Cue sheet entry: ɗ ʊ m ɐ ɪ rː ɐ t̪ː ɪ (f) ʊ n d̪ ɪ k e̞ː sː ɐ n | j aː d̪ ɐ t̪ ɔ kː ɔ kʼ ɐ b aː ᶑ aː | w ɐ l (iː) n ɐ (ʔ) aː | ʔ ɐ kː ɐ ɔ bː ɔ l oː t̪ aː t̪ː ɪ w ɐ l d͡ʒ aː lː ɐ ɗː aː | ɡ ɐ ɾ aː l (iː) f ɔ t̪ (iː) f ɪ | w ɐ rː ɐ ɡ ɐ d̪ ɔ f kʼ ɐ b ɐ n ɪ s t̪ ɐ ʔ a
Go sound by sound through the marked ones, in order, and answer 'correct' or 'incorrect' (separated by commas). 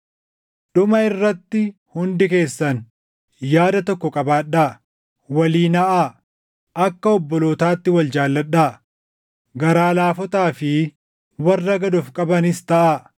incorrect, correct, correct, incorrect, incorrect